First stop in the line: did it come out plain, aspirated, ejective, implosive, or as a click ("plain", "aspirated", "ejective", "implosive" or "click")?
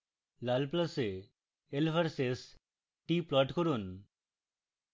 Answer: plain